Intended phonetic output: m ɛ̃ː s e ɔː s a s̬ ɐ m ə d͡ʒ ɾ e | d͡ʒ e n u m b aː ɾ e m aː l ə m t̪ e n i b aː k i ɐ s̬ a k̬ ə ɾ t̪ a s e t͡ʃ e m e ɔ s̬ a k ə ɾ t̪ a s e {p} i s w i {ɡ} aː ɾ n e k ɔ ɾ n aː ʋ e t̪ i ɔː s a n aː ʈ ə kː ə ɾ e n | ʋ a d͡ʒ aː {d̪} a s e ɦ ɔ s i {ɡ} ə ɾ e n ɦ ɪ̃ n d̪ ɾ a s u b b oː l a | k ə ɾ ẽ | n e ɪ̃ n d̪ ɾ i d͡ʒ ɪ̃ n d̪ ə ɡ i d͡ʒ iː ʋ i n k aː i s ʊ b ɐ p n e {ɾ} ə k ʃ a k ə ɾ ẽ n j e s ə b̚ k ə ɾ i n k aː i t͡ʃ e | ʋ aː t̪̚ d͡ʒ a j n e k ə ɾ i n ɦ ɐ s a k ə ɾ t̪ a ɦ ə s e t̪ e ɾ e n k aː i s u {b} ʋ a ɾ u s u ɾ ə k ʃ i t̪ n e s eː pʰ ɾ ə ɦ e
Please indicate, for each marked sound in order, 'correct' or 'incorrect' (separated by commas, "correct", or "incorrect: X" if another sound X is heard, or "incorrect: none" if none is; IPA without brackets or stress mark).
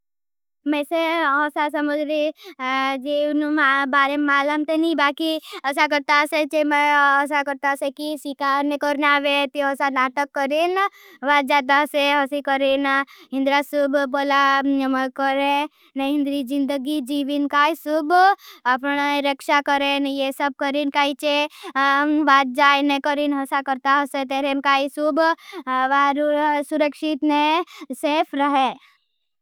incorrect: k, incorrect: k, correct, incorrect: k, correct, correct